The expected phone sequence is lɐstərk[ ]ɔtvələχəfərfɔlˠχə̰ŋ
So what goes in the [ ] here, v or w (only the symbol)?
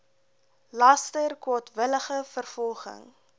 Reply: w